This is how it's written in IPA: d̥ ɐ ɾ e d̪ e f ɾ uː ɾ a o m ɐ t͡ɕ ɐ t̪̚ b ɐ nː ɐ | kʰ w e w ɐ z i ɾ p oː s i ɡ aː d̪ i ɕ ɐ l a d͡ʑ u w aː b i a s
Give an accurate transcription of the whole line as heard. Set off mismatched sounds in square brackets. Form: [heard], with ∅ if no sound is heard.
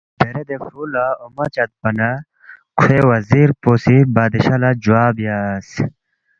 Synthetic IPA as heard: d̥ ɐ ɾ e d̪ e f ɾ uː [l] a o m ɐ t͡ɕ ɐ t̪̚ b ɐ [n] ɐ | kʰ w e w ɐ z i ɾ p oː s i [b] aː d̪ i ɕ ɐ l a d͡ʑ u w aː b [j] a s